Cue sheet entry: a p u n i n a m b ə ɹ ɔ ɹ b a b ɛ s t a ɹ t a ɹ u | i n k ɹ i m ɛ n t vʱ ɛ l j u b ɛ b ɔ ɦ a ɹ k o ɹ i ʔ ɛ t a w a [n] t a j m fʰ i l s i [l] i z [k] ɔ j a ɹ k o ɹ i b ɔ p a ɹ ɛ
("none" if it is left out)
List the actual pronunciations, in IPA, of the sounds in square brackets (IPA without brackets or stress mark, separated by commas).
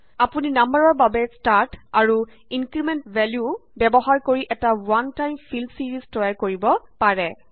n, ɹ, t